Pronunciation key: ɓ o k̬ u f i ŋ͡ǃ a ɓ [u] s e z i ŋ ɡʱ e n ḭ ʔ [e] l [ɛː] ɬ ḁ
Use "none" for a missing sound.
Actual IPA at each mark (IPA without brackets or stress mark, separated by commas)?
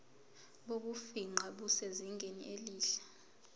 u, e, iː